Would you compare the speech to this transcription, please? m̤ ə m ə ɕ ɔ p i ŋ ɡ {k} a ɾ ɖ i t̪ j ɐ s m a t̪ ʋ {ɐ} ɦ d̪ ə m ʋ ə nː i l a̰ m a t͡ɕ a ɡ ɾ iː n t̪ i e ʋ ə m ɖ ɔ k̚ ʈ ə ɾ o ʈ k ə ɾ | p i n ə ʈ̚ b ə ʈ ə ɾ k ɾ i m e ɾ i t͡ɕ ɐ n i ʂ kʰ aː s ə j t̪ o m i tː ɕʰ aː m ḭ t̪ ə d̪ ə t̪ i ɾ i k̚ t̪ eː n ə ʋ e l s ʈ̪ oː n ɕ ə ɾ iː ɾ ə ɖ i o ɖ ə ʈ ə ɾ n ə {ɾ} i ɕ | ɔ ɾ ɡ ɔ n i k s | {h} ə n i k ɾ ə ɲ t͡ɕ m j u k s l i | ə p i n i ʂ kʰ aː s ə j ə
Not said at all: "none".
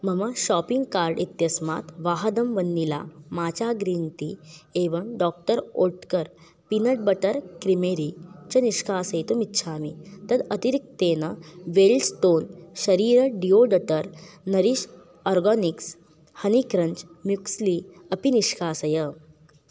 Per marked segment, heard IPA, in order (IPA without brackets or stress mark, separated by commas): k, a, ɾ, h